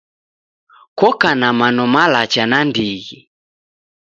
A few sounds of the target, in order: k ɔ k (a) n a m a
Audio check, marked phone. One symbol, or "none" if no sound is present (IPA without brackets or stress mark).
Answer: a